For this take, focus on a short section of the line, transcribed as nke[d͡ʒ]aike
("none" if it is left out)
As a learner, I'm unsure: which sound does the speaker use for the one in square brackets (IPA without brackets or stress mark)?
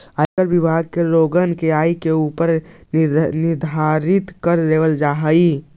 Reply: none